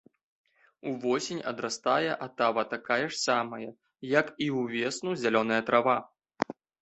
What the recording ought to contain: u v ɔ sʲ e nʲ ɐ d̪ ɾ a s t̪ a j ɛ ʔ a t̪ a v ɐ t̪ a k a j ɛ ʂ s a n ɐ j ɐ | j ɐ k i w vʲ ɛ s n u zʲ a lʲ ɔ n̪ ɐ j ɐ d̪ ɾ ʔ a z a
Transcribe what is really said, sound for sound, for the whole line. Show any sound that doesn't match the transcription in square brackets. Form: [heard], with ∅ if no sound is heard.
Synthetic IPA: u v ɔ sʲ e nʲ ɐ d̪ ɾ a s t̪ a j ɛ ʔ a t̪ a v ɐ t̪ a k a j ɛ ʂ s a [m] ɐ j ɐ | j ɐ k i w vʲ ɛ s n u zʲ a lʲ ɔ n̪ ɐ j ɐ [t̪] ɾ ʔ a [v] a